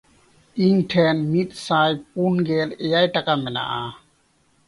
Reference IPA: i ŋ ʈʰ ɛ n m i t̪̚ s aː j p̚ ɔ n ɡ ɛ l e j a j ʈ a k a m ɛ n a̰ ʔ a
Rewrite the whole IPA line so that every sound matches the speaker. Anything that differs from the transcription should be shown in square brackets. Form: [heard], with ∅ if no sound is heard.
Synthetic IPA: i ŋ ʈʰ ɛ n m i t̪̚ s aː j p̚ [u] n ɡ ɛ l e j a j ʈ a k a m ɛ n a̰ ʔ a